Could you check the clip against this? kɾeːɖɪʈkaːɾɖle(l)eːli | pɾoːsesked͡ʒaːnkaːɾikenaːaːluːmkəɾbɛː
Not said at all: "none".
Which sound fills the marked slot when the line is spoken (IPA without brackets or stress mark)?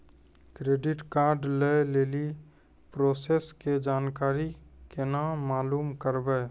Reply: l